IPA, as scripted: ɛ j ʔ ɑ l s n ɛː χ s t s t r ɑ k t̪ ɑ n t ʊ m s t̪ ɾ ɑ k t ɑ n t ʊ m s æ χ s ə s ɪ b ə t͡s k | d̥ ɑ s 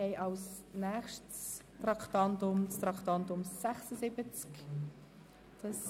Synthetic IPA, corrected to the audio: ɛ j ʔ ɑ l s n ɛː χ ʃ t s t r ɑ k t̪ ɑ n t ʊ m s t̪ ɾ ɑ k t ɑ n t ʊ m s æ χ s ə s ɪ b ə t͡s k | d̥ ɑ s